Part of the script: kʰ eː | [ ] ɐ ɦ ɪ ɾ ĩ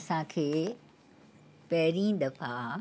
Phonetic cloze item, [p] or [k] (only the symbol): p